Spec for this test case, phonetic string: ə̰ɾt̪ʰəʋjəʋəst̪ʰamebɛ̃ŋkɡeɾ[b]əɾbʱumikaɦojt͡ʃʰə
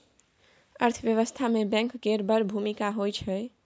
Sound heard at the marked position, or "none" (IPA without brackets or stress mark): b